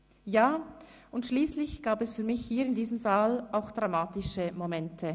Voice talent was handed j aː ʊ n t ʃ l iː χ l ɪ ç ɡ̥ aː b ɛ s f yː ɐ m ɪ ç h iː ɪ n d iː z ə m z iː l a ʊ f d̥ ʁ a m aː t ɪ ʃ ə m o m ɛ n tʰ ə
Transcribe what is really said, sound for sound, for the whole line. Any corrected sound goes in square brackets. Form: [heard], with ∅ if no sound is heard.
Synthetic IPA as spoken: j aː ʊ n t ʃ l iː [s] l ɪ ç ɡ̥ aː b ɛ s f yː ɐ m ɪ ç h iː ɪ n d iː z ə m z [aː] l a ʊ [x] d̥ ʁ a m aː t ɪ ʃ ə m o m ɛ n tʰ ə